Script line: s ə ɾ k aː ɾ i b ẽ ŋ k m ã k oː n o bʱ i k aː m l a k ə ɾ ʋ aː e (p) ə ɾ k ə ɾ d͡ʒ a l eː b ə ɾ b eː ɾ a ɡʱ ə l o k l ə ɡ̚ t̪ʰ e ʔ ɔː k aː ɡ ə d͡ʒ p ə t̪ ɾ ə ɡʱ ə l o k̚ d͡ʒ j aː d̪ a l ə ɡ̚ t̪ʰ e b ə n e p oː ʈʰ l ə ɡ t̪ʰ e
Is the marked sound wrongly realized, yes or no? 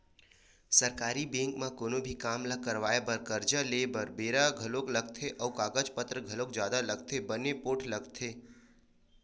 yes